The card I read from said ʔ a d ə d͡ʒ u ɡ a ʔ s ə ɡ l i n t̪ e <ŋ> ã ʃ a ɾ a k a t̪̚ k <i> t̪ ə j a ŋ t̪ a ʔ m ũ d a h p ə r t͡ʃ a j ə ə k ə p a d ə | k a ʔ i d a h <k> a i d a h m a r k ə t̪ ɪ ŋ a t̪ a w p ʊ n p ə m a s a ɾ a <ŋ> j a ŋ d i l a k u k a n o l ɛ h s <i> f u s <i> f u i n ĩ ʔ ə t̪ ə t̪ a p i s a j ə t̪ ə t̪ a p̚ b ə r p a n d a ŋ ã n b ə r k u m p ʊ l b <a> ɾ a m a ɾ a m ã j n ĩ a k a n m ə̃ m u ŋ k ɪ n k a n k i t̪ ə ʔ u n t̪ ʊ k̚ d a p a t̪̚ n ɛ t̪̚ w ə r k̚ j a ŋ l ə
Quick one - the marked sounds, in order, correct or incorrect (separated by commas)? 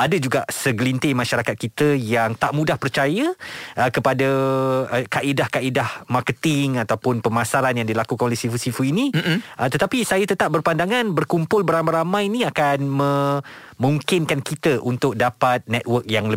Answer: incorrect, correct, correct, incorrect, correct, correct, incorrect